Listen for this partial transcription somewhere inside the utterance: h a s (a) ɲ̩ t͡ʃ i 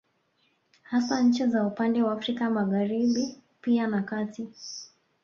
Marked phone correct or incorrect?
correct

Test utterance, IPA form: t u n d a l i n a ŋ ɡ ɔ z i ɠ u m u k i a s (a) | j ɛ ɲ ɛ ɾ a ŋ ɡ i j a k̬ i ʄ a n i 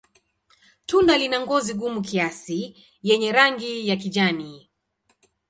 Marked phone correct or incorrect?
incorrect: i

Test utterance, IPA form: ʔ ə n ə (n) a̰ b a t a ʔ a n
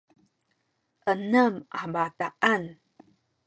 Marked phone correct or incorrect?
incorrect: m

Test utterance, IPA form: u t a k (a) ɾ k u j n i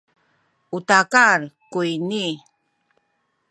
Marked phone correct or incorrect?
correct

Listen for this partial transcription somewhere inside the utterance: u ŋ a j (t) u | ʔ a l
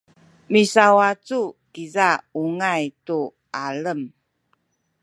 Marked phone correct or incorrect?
correct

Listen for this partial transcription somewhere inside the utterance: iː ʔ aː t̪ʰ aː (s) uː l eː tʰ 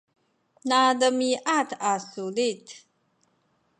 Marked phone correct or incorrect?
correct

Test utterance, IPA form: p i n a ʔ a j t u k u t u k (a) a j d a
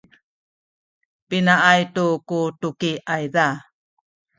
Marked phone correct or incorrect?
incorrect: i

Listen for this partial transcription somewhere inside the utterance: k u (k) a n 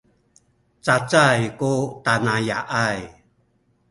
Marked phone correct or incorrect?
incorrect: t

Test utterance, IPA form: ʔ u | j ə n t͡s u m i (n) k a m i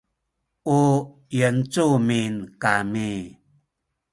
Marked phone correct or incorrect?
correct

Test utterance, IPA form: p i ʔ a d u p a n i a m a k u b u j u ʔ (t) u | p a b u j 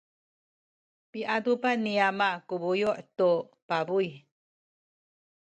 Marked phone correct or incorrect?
correct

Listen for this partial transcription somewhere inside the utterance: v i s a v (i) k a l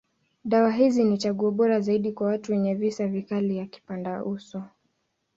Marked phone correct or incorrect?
correct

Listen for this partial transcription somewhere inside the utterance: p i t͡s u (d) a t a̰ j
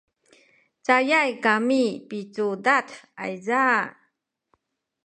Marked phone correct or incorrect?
correct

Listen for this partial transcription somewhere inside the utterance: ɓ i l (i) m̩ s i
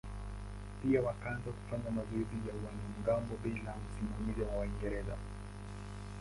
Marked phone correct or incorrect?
incorrect: a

